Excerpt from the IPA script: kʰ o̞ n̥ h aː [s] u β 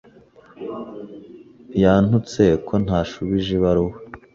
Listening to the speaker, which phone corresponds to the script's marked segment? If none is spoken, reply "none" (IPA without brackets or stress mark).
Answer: ʃ